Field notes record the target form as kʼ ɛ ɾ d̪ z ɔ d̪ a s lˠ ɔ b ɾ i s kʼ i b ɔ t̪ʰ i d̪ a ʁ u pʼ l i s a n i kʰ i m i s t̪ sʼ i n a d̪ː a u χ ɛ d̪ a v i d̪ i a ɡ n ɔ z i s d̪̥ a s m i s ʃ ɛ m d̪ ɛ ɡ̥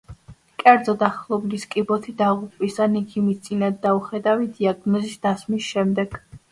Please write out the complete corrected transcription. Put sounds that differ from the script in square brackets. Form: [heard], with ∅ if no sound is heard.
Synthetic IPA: kʼ ɛ ɾ d̪ z ɔ d̪ a [χ] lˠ ɔ b [l] i s kʼ i b ɔ t̪ʰ i d̪ a ʁ u pʼ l i s a n i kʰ i m i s t̪ sʼ i n a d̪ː a u χ ɛ d̪ a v i d̪ i a ɡ n ɔ z i s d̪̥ a s m i s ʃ ɛ m d̪ ɛ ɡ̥